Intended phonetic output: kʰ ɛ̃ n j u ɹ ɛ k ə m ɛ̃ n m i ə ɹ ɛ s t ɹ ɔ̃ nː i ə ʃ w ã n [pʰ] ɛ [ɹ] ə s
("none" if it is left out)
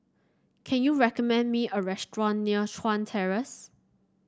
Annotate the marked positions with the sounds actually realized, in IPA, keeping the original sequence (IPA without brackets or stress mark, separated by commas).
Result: tʰ, ɹ